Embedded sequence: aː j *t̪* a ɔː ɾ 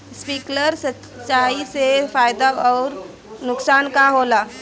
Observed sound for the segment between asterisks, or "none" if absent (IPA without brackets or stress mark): d̪